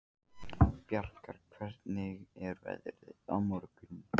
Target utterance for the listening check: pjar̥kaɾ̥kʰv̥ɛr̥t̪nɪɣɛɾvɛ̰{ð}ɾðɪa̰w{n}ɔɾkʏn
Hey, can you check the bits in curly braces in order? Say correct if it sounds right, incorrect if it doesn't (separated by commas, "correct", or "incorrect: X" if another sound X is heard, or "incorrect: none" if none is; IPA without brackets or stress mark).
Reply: correct, incorrect: m